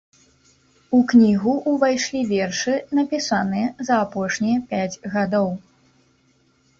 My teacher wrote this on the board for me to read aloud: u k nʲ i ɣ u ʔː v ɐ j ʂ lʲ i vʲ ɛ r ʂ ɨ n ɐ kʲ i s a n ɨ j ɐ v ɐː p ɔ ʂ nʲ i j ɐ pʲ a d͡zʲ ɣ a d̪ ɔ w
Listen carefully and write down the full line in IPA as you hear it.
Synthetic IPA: u k nʲ i ɣ u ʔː v a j ʂ lʲ i vʲ ɛ r ʂ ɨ n ɐ pʲ i s a n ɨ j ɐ z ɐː p ɔ ʂ nʲ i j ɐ pʲ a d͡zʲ ɣ a d̪ ɔ w